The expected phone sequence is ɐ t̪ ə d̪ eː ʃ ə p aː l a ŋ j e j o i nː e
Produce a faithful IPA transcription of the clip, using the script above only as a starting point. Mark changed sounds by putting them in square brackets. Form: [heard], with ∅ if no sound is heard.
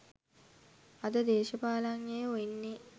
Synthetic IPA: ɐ [d̪] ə d̪ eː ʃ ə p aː l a ŋ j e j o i nː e